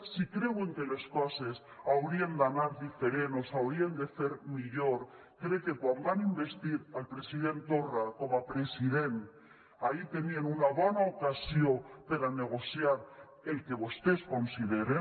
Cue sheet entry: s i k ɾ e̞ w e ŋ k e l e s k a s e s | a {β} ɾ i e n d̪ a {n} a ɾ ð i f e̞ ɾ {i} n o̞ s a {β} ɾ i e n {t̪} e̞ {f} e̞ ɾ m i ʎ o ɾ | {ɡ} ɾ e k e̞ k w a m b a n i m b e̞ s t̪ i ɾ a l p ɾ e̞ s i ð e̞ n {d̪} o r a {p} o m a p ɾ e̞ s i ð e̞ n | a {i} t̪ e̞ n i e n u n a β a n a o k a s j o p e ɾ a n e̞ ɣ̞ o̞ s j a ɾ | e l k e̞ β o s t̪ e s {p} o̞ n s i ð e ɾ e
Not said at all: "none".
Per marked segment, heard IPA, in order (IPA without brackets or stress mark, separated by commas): w, n, e, w, d̪, θ, k, t̪, k, i, k